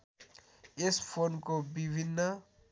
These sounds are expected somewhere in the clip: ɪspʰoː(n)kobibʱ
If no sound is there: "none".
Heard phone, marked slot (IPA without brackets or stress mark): n